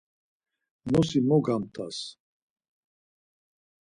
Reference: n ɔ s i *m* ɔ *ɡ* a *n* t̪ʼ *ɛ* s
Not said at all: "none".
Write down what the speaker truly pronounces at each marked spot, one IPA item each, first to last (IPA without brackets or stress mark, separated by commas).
m, ɡ, m, a